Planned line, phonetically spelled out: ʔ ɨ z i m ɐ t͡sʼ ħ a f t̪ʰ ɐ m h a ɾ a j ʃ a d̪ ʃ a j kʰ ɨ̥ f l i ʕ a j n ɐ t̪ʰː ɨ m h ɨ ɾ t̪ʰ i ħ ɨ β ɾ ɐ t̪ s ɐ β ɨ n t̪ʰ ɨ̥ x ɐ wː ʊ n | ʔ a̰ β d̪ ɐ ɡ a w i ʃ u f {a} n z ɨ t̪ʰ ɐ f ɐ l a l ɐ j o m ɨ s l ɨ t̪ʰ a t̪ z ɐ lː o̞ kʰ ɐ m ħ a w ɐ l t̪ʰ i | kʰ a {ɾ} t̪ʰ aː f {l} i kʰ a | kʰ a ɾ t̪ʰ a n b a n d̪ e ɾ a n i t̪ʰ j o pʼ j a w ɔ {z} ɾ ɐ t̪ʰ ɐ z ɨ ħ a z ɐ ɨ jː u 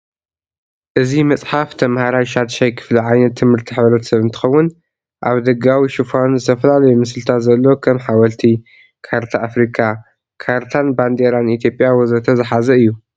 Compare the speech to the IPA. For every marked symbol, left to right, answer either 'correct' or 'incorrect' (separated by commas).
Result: correct, correct, incorrect, correct